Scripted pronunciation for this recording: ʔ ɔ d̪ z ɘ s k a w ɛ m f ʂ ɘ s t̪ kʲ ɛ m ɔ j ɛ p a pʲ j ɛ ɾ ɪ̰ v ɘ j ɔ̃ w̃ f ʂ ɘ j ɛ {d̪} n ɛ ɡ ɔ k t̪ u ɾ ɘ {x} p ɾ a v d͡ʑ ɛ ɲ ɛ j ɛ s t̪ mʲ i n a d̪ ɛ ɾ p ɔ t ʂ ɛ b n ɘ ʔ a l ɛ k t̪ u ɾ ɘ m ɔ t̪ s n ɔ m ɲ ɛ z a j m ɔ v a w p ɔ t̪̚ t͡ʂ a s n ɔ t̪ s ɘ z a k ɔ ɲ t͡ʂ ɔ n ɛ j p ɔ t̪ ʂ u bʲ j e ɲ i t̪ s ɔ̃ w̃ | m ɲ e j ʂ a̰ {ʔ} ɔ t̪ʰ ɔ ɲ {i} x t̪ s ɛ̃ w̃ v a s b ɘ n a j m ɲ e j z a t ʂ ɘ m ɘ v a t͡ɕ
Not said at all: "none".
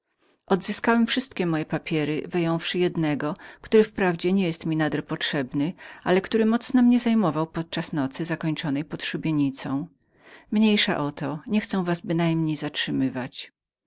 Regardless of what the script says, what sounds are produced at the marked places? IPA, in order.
d̪, f, ʔ, ɛ

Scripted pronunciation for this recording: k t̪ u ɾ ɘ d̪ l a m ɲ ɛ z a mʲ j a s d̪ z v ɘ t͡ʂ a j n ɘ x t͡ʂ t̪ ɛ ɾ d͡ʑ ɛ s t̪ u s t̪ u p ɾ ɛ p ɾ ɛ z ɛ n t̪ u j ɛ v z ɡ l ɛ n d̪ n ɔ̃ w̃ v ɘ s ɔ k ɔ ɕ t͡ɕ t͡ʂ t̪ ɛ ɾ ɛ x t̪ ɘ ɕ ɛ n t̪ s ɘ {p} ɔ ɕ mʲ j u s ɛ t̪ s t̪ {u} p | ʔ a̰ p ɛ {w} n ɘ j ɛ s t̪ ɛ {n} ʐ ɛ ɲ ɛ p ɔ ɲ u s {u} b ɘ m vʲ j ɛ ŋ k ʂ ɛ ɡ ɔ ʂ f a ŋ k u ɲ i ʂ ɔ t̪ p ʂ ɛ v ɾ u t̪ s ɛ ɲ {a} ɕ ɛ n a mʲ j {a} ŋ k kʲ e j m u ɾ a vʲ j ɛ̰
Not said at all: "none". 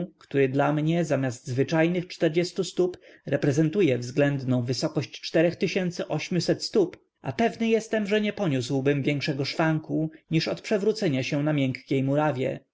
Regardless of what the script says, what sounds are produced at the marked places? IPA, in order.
ʔ, u, v, m, w, a, ɛ

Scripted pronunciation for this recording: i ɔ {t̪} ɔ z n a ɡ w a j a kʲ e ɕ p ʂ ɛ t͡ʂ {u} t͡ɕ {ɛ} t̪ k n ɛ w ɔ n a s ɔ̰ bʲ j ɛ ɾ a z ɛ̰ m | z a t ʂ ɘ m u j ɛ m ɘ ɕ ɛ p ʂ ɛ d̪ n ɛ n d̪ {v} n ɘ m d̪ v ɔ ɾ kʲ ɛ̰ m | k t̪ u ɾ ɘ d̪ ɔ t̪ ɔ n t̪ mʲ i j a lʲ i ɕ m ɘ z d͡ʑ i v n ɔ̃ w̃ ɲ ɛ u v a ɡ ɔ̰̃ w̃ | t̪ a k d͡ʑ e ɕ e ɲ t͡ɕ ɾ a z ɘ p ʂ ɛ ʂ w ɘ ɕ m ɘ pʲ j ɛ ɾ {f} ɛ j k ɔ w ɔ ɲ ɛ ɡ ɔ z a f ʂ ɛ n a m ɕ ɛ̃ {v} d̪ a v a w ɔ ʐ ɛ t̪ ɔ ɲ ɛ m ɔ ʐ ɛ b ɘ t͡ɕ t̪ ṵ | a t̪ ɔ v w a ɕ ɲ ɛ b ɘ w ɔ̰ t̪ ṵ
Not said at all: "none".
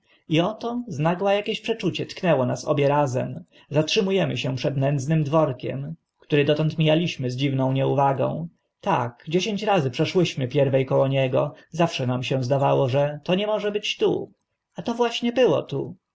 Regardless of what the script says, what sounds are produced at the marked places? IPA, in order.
t̪, u, ɛ, z, v, z

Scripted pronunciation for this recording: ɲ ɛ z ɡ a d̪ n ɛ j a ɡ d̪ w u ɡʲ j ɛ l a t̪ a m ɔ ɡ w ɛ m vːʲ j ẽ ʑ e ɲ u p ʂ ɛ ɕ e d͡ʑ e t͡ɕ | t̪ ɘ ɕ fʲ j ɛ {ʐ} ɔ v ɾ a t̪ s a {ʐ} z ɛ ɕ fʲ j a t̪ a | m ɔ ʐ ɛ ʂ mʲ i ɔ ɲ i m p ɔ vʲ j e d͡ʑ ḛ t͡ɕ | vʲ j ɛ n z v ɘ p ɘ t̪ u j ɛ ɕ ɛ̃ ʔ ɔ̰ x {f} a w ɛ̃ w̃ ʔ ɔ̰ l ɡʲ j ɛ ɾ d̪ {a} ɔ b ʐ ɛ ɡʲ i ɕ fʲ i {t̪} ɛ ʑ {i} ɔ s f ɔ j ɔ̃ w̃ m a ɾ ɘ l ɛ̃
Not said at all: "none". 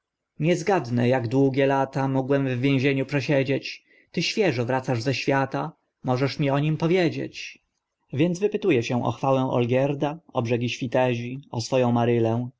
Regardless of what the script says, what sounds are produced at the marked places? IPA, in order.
ʐ, ʐ, f, a, t̪, i

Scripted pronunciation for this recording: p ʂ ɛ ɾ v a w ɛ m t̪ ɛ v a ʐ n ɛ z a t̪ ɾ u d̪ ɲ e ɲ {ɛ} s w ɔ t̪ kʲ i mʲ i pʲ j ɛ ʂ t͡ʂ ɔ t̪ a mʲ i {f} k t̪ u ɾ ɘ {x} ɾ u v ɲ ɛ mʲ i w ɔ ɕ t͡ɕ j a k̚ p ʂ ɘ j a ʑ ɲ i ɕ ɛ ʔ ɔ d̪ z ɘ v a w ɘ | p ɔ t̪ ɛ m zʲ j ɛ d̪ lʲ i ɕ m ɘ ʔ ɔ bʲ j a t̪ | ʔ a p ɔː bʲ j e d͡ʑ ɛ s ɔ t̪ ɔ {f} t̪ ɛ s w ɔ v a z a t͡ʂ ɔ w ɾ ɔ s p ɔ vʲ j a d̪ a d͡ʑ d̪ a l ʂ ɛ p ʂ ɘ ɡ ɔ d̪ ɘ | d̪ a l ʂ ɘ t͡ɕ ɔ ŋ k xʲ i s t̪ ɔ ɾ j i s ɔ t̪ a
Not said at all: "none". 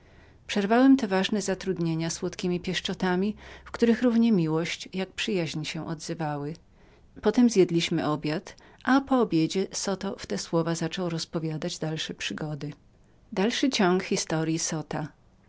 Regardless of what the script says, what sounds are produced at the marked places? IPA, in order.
a, f, x, f

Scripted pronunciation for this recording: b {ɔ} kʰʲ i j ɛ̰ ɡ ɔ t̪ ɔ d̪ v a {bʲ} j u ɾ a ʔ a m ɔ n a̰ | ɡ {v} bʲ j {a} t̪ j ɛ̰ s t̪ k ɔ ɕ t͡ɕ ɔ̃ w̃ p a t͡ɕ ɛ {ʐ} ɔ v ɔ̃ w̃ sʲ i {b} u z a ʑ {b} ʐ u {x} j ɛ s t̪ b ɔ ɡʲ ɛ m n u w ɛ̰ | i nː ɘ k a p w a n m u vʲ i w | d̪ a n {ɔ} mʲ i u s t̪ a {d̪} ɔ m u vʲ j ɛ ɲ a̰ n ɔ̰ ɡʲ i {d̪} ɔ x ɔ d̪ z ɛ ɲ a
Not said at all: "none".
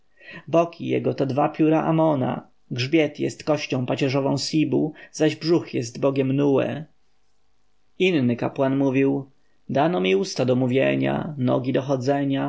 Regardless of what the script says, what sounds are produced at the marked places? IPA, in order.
ɔ, pʲ, ʐ, ɛ, ʐ, b, b, x, ɔ, d̪, d̪

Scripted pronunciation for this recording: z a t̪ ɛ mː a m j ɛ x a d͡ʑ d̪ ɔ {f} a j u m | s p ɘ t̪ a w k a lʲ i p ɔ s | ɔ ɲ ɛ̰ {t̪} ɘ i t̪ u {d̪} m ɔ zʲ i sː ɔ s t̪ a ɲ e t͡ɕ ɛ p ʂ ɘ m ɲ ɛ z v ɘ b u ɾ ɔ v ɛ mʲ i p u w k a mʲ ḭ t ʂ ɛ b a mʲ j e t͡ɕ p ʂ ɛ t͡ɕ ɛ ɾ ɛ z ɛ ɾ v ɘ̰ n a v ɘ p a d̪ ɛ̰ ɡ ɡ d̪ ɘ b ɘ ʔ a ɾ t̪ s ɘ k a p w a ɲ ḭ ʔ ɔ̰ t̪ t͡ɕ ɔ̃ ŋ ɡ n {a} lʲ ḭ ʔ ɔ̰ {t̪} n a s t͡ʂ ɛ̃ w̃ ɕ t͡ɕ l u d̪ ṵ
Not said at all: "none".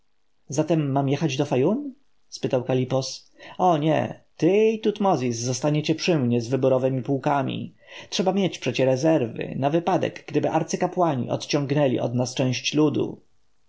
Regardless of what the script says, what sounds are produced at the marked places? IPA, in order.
f, t̪, t̪, ɛ, d̪

